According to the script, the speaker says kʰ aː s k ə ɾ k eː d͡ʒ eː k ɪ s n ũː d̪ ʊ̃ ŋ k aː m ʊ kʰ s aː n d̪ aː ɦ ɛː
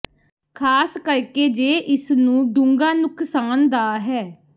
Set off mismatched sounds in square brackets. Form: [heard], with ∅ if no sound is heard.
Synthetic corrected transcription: kʰ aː s k ə ɾ k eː d͡ʒ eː [ʔ] ɪ s n ũː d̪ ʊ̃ ŋ [ɡ] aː [n] ʊ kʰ s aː n d̪ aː ɦ ɛː